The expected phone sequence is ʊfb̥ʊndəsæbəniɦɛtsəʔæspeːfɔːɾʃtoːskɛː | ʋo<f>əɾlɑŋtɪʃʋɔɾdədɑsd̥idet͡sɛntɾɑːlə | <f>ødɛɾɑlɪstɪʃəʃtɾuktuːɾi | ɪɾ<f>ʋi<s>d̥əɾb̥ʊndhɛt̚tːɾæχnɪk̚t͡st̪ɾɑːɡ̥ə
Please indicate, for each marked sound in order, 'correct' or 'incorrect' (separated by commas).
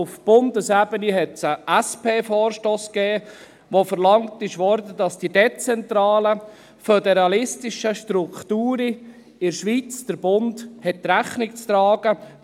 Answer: correct, correct, incorrect, incorrect